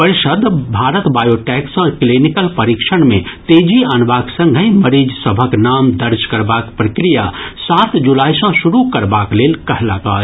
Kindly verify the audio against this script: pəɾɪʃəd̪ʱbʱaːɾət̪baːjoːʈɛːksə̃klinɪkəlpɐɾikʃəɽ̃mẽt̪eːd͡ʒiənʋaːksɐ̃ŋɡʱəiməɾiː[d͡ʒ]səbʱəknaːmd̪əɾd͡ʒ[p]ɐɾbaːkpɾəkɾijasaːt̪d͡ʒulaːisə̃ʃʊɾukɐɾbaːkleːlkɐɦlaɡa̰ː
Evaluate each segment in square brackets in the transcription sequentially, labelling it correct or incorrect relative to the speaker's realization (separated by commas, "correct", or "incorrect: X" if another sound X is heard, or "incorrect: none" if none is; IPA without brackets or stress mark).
correct, incorrect: k